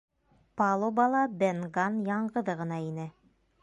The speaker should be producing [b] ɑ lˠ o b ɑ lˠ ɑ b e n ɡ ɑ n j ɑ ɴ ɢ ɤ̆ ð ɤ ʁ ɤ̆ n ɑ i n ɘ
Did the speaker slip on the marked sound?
yes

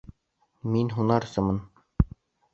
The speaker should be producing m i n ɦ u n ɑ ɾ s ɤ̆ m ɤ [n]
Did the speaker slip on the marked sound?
no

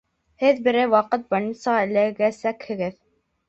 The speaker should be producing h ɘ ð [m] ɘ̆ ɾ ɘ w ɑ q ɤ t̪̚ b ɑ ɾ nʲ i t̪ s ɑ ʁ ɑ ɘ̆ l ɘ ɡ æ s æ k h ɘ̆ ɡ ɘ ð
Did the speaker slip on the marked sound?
yes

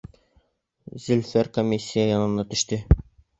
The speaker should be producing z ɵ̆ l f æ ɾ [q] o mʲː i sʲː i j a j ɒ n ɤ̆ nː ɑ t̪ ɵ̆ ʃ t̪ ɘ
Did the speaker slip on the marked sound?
yes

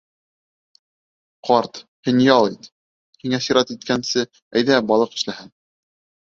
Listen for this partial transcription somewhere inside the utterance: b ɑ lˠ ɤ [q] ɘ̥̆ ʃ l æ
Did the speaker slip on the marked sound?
no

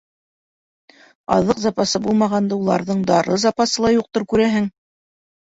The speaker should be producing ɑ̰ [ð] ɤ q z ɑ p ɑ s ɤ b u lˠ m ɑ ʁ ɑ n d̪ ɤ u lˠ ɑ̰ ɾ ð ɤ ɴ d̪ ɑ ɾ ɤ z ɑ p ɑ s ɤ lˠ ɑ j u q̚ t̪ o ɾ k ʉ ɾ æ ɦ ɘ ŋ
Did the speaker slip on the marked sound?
no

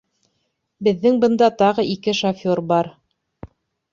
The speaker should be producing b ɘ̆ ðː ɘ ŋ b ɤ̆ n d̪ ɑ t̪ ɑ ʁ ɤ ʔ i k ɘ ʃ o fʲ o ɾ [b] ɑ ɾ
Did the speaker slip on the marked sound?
no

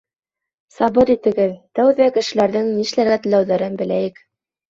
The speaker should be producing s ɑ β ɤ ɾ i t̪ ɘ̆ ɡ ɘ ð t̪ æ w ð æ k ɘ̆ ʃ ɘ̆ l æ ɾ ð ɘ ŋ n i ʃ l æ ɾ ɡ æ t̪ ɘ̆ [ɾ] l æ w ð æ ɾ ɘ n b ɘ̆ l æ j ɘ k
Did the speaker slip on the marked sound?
yes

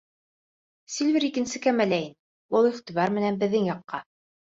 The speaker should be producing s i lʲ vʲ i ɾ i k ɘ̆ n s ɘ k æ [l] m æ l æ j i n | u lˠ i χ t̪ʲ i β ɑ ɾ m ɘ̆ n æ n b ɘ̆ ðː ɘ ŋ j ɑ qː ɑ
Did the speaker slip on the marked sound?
yes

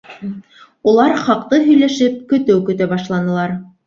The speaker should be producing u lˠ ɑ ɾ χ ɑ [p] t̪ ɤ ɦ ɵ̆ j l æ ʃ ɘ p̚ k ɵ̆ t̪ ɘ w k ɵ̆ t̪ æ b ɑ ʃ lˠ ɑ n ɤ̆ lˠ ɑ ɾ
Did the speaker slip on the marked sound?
yes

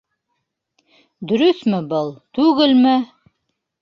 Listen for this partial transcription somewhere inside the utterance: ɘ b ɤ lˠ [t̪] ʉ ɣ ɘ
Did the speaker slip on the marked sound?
no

